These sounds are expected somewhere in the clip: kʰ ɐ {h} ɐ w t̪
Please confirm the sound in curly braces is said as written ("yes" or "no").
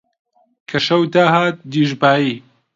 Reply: no